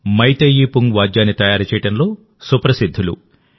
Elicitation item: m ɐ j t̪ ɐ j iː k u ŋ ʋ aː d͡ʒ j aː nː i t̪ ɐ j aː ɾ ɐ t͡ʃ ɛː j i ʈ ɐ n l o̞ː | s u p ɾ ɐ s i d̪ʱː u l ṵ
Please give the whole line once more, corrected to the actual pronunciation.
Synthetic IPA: m ɐ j t̪ ɐ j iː p u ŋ ʋ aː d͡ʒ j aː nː i t̪ ɐ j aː ɾ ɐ t͡ʃ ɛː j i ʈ ɐ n l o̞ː | s u p ɾ ɐ s i d̪ʱː u l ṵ

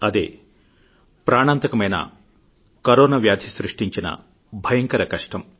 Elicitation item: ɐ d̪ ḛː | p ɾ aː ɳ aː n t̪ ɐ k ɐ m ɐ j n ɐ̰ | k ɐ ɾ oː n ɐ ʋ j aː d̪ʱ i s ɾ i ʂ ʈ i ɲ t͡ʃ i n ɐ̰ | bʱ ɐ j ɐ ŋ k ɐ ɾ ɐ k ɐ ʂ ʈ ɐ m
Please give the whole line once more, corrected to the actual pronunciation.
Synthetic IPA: ɐ d̪ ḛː | p ɾ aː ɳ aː n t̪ ɐ k ɐ m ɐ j n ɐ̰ | k ɐ ɾ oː n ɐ ʋ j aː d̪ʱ i s ɾ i ʂ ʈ i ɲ t͡ʃ i n ɐ̰ | bʱ ɐ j ɐ ŋ k ɐ ɾ ɐ k ɐ ʂ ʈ ɐ m

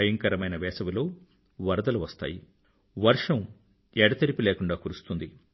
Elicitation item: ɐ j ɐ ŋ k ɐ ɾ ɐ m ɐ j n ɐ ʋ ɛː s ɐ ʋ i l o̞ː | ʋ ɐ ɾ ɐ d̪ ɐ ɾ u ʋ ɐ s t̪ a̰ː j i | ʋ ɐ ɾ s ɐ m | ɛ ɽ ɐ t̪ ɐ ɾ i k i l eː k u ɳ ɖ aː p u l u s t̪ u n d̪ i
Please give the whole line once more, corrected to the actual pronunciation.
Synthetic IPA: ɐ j ɐ ŋ k ɐ ɾ ɐ m ɐ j n ɐ ʋ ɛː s ɐ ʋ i l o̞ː | ʋ ɐ ɾ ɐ d̪ ɐ l u ʋ ɐ s t̪ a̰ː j i | ʋ ɐ ɾ ʂ ɐ m | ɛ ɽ ɐ t̪ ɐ ɾ i p i l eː k u ɳ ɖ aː k u ɾ u s t̪ u n d̪ i

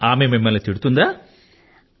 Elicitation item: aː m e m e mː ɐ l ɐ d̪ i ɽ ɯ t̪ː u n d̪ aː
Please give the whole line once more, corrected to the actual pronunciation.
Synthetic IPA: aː m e m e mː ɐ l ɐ t̪ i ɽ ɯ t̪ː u n d̪ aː

